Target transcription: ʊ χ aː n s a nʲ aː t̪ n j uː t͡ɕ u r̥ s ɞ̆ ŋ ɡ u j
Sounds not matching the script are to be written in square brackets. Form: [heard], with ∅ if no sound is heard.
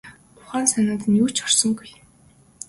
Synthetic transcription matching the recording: ʊ χ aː n s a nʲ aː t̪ n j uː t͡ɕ [ɔ] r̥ s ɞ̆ ŋ ɡ u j